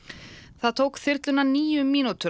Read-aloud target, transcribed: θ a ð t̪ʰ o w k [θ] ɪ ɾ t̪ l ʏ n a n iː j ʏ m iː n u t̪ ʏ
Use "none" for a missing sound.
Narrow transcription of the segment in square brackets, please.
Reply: θ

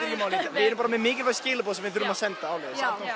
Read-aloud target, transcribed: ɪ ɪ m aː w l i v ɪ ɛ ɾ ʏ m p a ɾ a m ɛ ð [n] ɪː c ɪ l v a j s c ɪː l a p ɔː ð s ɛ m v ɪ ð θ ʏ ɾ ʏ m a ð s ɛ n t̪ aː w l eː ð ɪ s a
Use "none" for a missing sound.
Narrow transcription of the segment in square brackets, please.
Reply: m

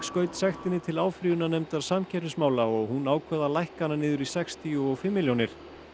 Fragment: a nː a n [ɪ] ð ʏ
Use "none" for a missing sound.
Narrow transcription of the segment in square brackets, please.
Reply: ɪː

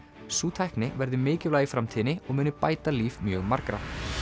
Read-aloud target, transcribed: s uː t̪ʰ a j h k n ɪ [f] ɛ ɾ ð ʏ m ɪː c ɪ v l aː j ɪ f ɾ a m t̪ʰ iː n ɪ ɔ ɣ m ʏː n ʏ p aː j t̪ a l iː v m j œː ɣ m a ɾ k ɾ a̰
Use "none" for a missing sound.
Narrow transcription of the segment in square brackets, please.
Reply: v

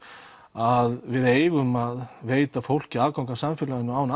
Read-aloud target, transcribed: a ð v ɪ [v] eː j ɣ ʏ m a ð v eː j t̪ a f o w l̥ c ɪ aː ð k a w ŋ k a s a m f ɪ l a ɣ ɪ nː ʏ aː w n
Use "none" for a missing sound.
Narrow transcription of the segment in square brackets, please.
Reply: ð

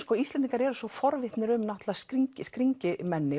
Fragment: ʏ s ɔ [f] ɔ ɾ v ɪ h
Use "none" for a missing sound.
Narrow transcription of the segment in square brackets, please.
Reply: f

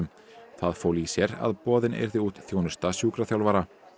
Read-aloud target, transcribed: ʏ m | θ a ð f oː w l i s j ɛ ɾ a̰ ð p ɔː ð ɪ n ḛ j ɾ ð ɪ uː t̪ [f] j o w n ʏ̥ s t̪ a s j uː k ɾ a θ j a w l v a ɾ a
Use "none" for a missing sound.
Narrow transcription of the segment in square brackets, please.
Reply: θ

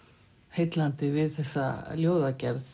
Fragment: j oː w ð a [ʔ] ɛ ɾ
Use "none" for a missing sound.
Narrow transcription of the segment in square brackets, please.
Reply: c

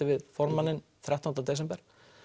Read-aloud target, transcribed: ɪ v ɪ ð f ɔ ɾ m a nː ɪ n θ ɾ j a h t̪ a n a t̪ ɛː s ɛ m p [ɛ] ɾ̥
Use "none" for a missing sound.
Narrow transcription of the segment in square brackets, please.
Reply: ɛ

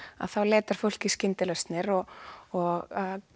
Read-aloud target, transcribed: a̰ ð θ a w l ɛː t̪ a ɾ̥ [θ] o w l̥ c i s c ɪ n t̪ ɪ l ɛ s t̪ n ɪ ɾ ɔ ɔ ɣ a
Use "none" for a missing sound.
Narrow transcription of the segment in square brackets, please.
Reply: f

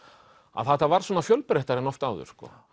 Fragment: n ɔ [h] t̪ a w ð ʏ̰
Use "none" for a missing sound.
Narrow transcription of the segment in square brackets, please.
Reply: f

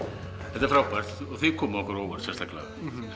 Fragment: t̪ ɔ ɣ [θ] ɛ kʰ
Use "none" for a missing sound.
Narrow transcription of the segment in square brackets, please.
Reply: θ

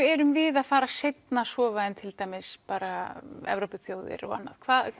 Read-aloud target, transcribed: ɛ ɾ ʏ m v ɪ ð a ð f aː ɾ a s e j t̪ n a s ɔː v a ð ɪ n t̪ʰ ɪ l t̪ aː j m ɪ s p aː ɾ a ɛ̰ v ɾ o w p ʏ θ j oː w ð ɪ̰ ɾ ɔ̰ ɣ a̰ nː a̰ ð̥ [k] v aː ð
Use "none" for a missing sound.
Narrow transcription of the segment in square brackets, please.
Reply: kʰ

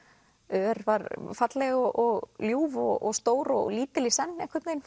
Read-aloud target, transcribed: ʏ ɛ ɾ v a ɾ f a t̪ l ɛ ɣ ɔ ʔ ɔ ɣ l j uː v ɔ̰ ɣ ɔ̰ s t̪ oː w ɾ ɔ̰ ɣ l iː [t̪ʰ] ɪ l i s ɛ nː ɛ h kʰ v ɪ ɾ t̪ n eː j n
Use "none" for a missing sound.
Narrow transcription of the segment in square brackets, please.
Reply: t̪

